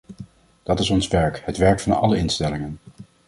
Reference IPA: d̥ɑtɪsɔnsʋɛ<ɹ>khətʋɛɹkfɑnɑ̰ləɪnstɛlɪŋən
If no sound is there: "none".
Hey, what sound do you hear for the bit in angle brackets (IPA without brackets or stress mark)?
ɹ